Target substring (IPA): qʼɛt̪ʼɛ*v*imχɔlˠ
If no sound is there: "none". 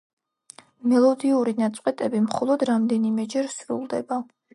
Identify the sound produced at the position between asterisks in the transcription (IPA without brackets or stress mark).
b